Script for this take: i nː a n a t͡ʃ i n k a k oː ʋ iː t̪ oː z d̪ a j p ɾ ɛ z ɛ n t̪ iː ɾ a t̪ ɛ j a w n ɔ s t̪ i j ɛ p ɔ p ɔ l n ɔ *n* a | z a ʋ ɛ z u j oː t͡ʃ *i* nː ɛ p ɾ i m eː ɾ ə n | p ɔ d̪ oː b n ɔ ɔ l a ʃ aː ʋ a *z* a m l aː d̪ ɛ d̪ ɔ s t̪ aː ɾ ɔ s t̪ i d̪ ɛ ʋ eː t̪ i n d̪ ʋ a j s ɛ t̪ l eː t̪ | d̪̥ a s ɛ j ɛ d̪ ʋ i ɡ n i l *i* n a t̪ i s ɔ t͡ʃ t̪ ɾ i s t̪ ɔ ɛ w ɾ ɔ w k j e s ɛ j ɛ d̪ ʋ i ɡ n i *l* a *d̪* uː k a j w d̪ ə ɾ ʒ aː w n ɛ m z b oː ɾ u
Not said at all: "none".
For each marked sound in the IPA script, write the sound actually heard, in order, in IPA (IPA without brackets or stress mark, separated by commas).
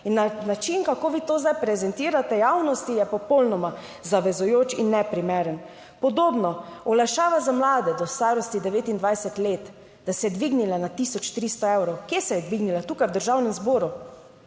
m, i, z, a, l, t̪